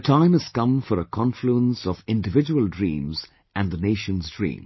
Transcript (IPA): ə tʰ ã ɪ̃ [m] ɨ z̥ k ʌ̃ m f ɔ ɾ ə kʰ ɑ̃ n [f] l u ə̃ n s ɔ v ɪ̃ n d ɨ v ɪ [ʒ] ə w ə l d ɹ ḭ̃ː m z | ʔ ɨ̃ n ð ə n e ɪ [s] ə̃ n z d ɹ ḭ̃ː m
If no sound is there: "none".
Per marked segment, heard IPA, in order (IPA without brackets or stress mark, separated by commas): m, f, d͡ʒ, ʃ